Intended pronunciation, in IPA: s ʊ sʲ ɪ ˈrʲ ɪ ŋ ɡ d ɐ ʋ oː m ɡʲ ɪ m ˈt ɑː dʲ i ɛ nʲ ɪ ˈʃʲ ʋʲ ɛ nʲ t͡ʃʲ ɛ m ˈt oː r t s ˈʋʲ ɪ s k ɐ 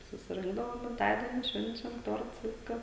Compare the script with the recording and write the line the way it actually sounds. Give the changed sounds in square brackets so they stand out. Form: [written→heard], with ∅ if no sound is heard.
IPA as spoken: s ʊ sʲ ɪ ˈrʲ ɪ ŋ ɡ d ɐ ʋ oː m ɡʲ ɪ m ˈt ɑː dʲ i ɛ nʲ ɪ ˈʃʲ ʋʲ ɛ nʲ t͡ʃʲ ɛ m ˈt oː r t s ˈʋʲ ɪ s k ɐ